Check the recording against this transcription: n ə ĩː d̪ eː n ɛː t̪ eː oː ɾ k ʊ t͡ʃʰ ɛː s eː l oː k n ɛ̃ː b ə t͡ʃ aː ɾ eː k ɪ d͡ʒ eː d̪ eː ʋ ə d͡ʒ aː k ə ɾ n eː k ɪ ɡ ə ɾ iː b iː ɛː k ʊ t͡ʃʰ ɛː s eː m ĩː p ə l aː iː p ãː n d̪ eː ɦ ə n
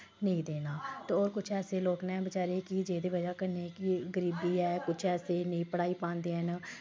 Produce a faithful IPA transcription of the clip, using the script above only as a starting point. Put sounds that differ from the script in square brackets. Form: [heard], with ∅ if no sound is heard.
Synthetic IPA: n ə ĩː d̪ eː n [aː] t̪ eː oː ɾ k ʊ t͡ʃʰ ɛː s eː l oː k n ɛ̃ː b ə t͡ʃ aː ɾ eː k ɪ d͡ʒ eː d̪ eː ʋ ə d͡ʒ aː k ə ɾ n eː k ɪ ɡ ə ɾ iː b iː ɛː k ʊ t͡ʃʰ ɛː s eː [n] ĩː p ə [ɽ] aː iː p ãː n d̪ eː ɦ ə n